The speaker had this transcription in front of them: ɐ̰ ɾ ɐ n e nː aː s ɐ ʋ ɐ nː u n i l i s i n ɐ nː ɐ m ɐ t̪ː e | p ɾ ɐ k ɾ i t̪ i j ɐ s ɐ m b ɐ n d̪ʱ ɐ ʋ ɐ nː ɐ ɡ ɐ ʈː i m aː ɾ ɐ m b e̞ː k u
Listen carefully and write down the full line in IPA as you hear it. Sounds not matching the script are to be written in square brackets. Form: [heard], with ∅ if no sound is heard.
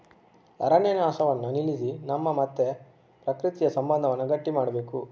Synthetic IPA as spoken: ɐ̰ ɾ ɐ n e [n] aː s ɐ ʋ ɐ nː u n i l i s i n ɐ [mː] ɐ m ɐ t̪ː e | p ɾ ɐ k ɾ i t̪ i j ɐ s ɐ m b ɐ n d̪ʱ ɐ ʋ ɐ nː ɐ ɡ ɐ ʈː i m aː [ɽ] ɐ [∅] b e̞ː k u